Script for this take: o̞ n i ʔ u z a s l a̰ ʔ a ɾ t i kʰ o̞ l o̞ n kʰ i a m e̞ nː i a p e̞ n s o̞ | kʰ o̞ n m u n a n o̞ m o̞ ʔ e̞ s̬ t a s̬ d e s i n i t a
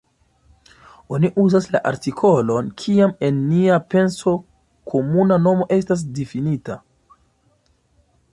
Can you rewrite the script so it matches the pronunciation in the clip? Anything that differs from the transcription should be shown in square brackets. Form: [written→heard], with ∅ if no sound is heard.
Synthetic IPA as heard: o̞ n i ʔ u z a s l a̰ ʔ a ɾ t i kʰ o̞ l o̞ n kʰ i a m e̞ nː i a p e̞ n s o̞ | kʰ o̞ [n→∅] m u n a n o̞ m o̞ ʔ e̞ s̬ t a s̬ d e [s→f] i n i t a